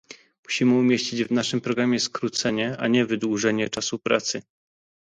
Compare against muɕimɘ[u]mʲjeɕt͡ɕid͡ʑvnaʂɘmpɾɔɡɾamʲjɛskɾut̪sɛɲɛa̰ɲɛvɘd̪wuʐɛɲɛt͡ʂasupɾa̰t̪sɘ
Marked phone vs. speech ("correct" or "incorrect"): correct